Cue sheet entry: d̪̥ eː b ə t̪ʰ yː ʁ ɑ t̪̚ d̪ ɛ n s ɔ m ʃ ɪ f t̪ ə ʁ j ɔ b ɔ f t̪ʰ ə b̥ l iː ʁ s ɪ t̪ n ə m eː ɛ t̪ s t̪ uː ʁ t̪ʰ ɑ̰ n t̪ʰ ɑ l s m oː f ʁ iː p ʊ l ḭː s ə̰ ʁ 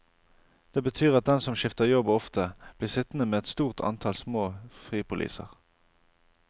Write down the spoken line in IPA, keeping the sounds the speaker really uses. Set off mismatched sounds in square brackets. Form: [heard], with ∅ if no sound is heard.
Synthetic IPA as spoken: d̪̥ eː b ə t̪ʰ yː ʁ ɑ t̪̚ d̪ ɛ n s ɔ m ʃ ɪ f t̪ ə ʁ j ɔ b ɔ f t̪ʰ ə b̥ l iː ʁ s ɪ t̪ n ə m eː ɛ t̪ s t̪ uː ʁ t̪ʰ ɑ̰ n t̪ʰ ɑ l s m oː f ʁ iː p ʊ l ḭː s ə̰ ʁ